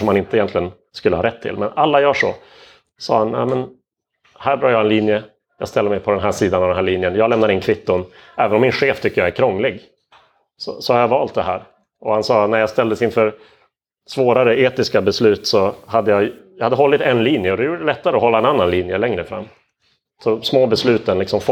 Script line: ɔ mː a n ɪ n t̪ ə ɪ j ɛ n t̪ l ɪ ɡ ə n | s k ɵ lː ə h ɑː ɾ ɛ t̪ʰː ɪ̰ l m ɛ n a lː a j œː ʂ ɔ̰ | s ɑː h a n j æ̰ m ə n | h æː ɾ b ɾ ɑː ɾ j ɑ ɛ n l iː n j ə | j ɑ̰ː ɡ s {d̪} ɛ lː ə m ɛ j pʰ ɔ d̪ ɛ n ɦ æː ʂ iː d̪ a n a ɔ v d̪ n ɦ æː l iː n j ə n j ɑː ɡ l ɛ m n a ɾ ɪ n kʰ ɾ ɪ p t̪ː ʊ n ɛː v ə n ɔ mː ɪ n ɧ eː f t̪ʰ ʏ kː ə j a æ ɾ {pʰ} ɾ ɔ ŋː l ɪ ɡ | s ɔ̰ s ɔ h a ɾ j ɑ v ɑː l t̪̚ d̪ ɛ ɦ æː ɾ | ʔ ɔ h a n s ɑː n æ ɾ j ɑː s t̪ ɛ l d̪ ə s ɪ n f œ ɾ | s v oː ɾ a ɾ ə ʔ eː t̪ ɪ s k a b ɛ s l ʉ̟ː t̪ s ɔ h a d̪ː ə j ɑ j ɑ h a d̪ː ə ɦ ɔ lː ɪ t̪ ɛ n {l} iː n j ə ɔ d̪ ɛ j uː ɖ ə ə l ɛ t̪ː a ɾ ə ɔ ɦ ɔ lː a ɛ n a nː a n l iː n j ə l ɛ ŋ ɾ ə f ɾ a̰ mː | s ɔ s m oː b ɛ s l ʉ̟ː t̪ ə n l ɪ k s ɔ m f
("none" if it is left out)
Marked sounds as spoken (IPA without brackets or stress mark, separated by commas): t̪, kʰ, l